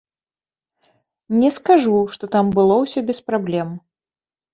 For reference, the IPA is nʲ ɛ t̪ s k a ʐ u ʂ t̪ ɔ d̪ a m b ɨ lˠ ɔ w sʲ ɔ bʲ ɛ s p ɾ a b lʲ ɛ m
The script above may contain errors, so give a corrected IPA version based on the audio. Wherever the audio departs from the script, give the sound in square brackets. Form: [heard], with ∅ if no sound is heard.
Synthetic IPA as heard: nʲ ɛ [∅] s k a ʐ u ʂ t̪ ɔ [t̪] a m b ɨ lˠ ɔ w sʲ ɔ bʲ ɛ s p ɾ a b lʲ ɛ m

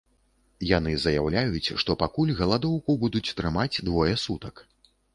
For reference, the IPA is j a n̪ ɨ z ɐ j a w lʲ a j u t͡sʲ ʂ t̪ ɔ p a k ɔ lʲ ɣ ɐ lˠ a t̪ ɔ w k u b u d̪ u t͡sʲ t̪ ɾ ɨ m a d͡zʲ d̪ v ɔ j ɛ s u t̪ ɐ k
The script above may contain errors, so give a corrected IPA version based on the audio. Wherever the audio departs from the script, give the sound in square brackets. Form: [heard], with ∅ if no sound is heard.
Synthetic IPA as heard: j a n̪ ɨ z ɐ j a w lʲ a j u t͡sʲ ʂ t̪ ɔ p a k [u] lʲ ɣ ɐ lˠ a [d̪] ɔ w k u b u d̪ u t͡sʲ t̪ ɾ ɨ m a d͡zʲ d̪ v ɔ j ɛ s u t̪ ɐ k

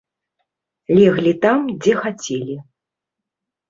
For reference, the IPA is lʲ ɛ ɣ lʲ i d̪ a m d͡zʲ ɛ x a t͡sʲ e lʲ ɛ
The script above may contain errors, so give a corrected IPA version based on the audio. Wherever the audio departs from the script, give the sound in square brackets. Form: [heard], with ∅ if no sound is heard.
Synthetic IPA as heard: lʲ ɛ ɣ lʲ i [t̪] a m d͡zʲ ɛ x a t͡sʲ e lʲ [i]

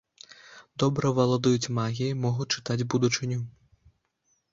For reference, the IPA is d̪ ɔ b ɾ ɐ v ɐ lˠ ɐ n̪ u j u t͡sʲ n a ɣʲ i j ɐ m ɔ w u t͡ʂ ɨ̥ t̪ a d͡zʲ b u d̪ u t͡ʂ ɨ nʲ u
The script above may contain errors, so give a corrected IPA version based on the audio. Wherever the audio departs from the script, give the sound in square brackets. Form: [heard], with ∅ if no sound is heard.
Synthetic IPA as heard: d̪ ɔ b ɾ ɐ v ɐ lˠ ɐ [d̪] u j u t͡sʲ [m] a ɣʲ i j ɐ m ɔ [ɣ] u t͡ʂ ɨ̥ t̪ a d͡zʲ b u d̪ u t͡ʂ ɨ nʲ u

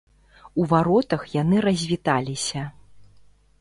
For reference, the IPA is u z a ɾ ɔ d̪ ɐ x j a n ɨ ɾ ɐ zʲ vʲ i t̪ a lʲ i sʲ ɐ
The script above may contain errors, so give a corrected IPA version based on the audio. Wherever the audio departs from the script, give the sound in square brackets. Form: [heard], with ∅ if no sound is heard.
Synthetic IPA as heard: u [v] a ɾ ɔ [t̪] ɐ x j a n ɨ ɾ ɐ zʲ vʲ i t̪ a lʲ i sʲ ɐ

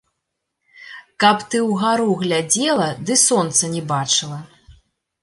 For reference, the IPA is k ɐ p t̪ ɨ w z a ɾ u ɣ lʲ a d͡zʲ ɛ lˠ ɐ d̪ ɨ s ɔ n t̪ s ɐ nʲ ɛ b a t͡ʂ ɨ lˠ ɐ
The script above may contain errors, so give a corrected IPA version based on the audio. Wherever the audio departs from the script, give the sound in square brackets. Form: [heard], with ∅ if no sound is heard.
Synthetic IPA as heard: k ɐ p t̪ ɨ w [ɣ] a ɾ u ɣ lʲ a d͡zʲ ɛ lˠ ɐ d̪ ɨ s ɔ n t̪ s ɐ nʲ ɛ b a t͡ʂ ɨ lˠ ɐ

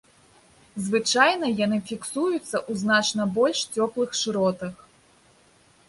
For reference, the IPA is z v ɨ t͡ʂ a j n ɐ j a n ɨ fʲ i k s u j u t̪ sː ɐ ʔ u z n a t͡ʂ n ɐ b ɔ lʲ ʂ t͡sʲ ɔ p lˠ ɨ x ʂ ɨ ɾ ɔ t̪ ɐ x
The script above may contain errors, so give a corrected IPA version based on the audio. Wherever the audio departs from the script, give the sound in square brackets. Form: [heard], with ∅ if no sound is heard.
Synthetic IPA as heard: z v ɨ t͡ʂ a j n ɐ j a n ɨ fʲ i k s u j u t̪ sː ɐ ʔ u z n a t͡ʂ n ɐ b ɔ lʲ ʂ t͡sʲ ɔ p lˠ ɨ x ʂ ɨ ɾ ɔ t̪ ɐ x

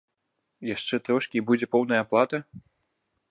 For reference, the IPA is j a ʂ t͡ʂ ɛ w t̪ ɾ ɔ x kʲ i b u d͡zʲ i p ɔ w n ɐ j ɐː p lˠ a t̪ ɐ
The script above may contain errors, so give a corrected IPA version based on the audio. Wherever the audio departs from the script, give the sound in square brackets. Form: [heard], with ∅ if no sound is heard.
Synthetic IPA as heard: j a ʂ t͡ʂ ɛ [∅] t̪ ɾ ɔ [ʂ] kʲ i b u d͡zʲ [ɛ] p ɔ w n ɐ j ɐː p lˠ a t̪ ɐ

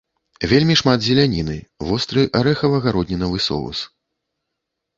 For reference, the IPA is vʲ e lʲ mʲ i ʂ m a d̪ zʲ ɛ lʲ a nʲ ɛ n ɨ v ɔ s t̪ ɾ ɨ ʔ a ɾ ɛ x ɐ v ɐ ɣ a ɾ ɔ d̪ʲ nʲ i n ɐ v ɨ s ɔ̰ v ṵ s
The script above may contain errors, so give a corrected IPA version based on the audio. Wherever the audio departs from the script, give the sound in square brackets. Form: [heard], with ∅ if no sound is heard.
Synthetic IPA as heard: vʲ e lʲ mʲ i ʂ m a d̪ zʲ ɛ lʲ a nʲ [i] n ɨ v ɔ s t̪ ɾ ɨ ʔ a ɾ ɛ x ɐ v ɐ ɣ a ɾ ɔ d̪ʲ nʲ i n ɐ v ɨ s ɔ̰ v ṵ s

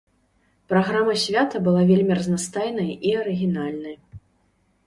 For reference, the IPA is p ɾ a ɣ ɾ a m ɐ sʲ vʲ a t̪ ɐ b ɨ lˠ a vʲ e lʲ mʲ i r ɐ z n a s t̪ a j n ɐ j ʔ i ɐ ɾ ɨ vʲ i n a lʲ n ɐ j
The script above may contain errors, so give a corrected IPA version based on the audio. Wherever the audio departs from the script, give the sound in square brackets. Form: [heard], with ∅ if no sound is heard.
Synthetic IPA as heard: p ɾ a ɣ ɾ a m ɐ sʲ vʲ a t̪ ɐ b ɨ lˠ a vʲ e lʲ mʲ i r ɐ z n a s t̪ a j n ɐ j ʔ i ɐ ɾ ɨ [ɣʲ] i n a lʲ n ɐ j

